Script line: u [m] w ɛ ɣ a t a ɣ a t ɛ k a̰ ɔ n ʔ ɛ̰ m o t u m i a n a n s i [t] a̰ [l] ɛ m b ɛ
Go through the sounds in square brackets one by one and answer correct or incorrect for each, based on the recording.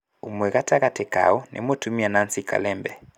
correct, incorrect, correct

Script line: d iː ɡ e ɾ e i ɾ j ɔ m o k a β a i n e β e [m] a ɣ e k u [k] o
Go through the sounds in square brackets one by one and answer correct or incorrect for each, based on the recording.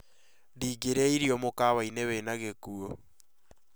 incorrect, incorrect

